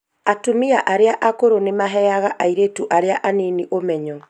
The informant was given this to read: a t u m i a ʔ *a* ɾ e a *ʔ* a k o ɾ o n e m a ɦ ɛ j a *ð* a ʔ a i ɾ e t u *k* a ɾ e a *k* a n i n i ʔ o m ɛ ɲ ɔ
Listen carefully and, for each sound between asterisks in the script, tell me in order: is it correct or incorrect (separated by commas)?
correct, correct, incorrect, incorrect, incorrect